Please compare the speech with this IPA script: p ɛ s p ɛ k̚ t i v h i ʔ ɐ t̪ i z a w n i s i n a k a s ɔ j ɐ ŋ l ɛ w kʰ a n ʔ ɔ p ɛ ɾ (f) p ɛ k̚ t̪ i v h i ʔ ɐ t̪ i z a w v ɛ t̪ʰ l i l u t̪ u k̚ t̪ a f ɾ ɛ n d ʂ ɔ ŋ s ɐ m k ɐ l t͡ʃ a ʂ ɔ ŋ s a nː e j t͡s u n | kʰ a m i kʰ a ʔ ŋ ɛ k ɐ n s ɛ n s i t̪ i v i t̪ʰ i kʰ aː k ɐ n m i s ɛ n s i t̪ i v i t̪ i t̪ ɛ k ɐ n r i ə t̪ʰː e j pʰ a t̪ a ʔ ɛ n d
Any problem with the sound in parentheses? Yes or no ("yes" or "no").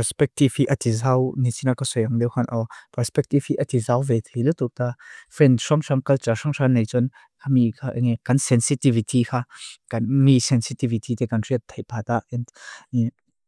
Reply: yes